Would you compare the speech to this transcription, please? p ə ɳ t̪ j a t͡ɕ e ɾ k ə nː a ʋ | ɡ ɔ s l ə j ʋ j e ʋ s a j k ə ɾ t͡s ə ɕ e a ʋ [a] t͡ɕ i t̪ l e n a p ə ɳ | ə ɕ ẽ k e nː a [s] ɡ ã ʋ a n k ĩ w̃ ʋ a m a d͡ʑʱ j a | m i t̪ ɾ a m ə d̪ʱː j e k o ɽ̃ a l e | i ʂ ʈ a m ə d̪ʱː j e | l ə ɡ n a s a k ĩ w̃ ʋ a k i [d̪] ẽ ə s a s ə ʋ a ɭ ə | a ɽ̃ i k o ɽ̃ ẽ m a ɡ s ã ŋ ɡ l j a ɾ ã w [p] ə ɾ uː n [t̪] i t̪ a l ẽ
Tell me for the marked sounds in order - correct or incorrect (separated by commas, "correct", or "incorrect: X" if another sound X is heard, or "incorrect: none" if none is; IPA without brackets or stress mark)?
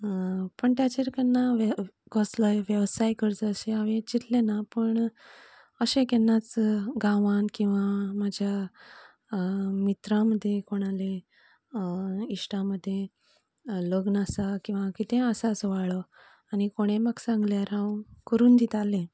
incorrect: e, incorrect: t͡s, incorrect: t̪, incorrect: k, incorrect: d̪